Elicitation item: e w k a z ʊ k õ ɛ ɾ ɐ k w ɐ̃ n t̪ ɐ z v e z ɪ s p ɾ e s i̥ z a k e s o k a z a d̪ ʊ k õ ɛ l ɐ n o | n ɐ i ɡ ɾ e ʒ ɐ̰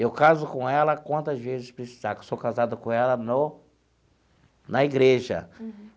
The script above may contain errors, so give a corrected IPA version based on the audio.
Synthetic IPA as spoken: e w k a z ʊ k õ ɛ l ɐ k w ɐ̃ n t̪ ɐ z v e z ɪ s p ɾ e s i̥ z a k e s o k a z a d̪ ʊ k õ ɛ l ɐ n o | n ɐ i ɡ ɾ e ʒ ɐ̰